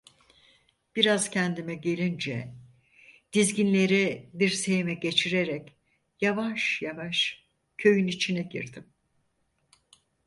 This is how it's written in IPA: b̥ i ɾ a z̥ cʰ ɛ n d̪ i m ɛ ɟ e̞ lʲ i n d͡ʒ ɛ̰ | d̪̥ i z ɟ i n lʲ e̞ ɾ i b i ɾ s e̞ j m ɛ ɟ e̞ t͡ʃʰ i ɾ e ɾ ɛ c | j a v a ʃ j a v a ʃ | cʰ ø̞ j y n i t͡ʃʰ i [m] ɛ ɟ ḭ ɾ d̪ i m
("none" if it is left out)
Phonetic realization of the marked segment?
n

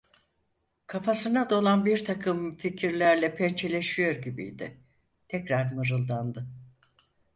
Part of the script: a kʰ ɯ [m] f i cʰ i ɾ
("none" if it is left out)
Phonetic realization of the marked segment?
m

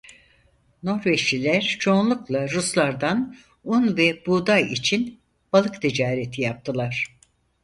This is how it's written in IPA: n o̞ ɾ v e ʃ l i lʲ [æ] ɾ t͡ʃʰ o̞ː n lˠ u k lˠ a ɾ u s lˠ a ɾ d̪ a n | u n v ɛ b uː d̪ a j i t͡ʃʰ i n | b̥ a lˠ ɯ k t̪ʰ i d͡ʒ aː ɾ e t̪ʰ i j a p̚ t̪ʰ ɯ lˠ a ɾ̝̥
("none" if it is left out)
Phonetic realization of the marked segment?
æ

